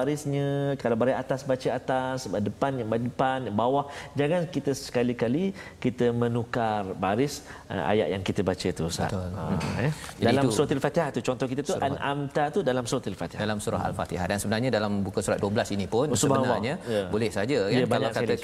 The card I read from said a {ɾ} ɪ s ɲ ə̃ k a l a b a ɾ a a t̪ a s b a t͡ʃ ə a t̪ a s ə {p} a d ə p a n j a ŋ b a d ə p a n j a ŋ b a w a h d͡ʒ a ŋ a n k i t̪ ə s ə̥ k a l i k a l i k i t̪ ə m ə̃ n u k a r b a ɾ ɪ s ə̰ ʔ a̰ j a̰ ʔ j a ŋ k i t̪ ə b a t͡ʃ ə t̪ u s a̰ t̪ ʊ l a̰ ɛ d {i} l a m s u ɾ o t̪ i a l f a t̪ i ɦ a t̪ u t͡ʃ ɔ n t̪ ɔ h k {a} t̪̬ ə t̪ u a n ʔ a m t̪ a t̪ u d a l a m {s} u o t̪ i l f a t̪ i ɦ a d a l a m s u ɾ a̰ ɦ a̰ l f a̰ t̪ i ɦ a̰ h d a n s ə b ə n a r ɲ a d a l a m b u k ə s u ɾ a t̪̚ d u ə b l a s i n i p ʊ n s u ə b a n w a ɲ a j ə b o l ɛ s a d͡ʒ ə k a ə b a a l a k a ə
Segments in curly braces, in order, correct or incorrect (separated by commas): correct, incorrect, incorrect, incorrect, correct